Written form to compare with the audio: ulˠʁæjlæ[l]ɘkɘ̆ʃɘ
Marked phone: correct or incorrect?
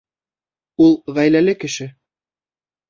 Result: correct